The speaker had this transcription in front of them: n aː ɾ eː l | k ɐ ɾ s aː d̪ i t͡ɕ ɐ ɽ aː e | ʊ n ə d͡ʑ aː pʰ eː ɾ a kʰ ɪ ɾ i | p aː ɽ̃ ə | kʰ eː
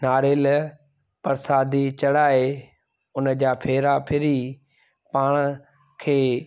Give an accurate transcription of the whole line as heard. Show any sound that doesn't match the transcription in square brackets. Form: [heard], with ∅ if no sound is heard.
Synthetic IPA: n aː ɾ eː l | [p] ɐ ɾ s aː d̪ i t͡ɕ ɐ ɽ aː e | ʊ n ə d͡ʑ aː pʰ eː ɾ a [pʰ] ɪ ɾ i | p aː ɽ̃ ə | kʰ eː

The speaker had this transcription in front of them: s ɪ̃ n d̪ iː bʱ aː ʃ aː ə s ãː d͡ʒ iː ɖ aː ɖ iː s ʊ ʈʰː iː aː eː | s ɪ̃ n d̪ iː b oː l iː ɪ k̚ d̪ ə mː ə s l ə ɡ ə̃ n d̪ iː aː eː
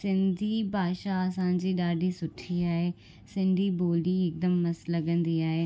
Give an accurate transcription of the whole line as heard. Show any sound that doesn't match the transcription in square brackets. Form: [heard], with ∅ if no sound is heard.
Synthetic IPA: s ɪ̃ n d̪ iː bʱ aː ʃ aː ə s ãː d͡ʒ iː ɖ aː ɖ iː s ʊ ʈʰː iː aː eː | s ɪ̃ n d̪ iː b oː l iː ɪ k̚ d̪ ə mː ə s l ə ɡ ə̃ n d̪ iː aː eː

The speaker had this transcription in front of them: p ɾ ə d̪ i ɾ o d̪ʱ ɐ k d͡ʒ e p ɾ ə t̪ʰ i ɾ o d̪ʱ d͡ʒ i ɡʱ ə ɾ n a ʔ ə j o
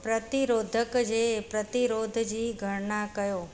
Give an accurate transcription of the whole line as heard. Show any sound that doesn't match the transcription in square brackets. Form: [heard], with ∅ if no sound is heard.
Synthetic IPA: p ɾ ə [t̪] i ɾ o d̪ʱ [ə] k d͡ʒ e p ɾ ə [t̪] i ɾ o d̪ʱ d͡ʒ i ɡʱ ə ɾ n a [k] ə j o

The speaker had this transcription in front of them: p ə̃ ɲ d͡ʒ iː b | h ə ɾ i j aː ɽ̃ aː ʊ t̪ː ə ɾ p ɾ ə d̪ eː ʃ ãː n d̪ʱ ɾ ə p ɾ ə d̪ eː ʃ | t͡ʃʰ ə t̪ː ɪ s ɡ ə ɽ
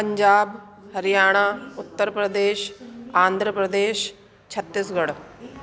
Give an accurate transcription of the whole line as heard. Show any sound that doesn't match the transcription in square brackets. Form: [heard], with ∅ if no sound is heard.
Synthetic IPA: p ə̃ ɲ d͡ʒ [aː] b | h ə ɾ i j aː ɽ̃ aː ʊ t̪ː ə ɾ p ɾ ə d̪ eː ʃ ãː n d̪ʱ ɾ ə p ɾ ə d̪ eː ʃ | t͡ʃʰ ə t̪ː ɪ s ɡ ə ɽ

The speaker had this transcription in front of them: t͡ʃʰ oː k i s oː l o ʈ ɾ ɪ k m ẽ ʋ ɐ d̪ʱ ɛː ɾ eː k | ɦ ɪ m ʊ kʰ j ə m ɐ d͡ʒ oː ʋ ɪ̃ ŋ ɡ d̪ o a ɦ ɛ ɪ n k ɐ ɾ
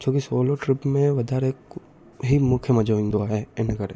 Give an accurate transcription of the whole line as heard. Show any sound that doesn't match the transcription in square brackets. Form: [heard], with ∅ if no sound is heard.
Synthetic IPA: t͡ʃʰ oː k i s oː l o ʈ ɾ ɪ [p] m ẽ ʋ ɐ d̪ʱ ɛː ɾ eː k | ɦ [i] m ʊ kʰ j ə m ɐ d͡ʒ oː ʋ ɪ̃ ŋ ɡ d̪ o a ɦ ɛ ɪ n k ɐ ɾ

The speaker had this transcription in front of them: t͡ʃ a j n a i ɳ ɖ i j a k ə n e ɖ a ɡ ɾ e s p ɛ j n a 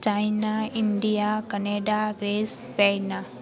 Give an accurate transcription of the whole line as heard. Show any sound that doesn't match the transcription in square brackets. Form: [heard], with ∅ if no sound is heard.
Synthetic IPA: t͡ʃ a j n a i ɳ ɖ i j a k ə n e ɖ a ɡ ɾ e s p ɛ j n a

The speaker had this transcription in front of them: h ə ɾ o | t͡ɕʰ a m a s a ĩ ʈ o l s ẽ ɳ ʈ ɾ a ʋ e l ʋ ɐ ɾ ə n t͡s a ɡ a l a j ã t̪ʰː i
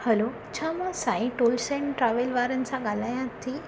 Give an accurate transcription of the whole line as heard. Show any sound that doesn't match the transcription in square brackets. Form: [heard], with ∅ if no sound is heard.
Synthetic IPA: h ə [l] o | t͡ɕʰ a m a s a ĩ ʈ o l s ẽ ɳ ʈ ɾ a ʋ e l ʋ [a] ɾ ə n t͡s a ɡ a l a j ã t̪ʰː i

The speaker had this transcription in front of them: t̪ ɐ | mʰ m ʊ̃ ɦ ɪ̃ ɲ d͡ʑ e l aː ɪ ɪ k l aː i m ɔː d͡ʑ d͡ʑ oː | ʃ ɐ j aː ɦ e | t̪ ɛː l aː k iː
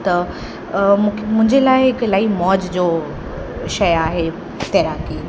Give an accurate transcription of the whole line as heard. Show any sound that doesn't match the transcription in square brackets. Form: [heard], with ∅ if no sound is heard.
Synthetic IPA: t̪ ɐ | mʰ m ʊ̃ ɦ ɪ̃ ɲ d͡ʑ e l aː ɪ ɪ k l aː i m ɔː d͡ʑ d͡ʑ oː | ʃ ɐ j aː ɦ e | t̪ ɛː [ɾ] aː k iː

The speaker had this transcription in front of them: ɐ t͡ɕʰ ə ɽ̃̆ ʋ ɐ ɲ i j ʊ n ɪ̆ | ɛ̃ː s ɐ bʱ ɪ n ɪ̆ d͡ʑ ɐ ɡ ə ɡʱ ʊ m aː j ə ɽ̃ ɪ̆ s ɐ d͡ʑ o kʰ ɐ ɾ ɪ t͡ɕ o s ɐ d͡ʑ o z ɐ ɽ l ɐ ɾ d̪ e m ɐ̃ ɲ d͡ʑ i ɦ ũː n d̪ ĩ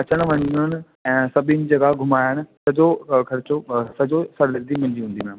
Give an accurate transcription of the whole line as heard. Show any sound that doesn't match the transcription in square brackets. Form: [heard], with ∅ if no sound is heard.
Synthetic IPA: ɐ [t͡ɕ] ə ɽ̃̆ ʋ ɐ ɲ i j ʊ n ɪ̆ | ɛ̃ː s ɐ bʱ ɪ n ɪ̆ d͡ʑ ɐ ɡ [a] ɡʱ ʊ m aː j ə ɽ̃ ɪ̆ s ɐ d͡ʑ o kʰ ɐ ɾ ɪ t͡ɕ o s ɐ d͡ʑ o [s] ɐ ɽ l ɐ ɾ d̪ [i] m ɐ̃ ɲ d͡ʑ i ɦ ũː n d̪ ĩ

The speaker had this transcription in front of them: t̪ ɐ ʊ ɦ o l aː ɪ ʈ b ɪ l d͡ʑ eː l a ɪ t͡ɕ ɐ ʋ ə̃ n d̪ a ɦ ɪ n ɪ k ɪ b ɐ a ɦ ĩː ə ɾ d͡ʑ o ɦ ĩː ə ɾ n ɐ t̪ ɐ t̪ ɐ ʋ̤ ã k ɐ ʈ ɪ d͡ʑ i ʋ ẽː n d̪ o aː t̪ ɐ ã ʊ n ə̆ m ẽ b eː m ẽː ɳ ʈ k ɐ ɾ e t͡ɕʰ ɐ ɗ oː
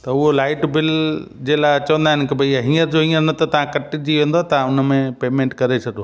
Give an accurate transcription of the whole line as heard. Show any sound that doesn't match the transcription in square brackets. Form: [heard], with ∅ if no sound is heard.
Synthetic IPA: t̪ ɐ ʊ ɦ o l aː ɪ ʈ b ɪ l d͡ʑ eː l a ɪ t͡ɕ ɐ ʋ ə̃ n d̪ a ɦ ɪ n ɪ k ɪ b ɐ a ɦ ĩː ə ɾ d͡ʑ o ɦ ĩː ə ɾ n ɐ t̪ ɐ t̪ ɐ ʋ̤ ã k ɐ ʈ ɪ d͡ʑ i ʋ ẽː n d̪ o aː t̪ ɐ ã ʊ n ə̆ m ẽ [p] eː m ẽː ɳ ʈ k ɐ ɾ e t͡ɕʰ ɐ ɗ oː

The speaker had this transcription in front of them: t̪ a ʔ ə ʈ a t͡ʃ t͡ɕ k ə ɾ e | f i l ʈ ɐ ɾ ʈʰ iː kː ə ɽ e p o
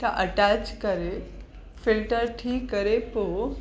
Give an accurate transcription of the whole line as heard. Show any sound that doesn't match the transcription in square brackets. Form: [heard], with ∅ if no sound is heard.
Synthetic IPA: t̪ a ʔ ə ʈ a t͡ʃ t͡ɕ k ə ɾ e | f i l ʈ [ə] ɾ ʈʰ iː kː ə [ɾ] e p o

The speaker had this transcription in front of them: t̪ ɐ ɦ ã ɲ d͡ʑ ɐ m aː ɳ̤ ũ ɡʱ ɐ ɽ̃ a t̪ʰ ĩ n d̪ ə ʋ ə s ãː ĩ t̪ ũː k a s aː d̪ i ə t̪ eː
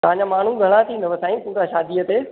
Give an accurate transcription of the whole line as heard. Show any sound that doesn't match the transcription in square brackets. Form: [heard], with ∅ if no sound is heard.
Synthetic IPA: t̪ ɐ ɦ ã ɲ d͡ʑ [a] m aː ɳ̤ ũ ɡʱ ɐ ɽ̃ a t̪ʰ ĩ n d̪ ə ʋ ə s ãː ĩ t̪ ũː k a [ʃ] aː d̪ i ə t̪ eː

